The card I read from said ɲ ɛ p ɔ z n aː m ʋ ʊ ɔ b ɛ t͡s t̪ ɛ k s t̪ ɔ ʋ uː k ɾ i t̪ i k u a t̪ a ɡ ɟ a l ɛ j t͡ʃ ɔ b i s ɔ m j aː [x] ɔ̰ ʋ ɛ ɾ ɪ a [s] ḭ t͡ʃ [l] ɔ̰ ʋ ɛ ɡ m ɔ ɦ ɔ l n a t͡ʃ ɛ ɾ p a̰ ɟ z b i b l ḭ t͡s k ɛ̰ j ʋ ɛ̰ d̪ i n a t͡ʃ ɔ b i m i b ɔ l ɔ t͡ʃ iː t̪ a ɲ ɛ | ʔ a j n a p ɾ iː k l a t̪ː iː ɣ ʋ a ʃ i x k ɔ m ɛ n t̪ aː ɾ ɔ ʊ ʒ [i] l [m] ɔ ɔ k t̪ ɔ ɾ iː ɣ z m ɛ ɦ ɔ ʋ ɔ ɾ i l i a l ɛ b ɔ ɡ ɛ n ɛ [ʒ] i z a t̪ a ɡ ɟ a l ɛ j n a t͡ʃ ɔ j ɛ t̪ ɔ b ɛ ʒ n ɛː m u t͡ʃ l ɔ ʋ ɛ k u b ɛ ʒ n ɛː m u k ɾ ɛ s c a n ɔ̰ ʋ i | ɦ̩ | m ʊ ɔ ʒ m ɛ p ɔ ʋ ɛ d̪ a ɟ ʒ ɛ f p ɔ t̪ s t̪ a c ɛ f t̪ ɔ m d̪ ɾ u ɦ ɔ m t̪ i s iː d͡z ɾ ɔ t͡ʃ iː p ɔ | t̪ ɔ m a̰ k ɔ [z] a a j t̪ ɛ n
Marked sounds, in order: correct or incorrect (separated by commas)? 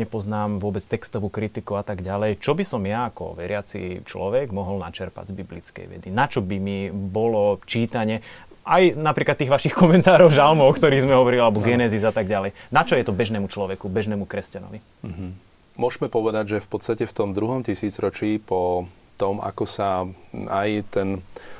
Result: incorrect, incorrect, correct, incorrect, correct, incorrect, incorrect